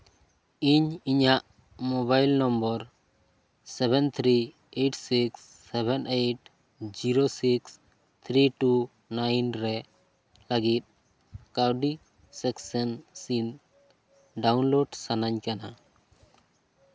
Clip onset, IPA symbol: i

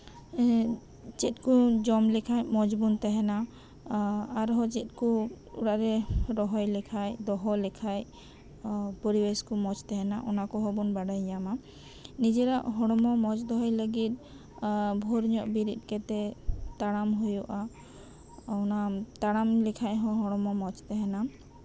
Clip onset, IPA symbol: t͡ʃ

